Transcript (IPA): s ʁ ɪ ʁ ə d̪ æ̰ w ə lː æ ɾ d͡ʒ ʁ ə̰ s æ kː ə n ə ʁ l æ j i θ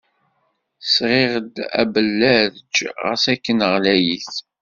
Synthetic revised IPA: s ʁ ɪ ʁ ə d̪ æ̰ b ə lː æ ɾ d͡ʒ ʁ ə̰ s æ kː ə n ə ʁ l æ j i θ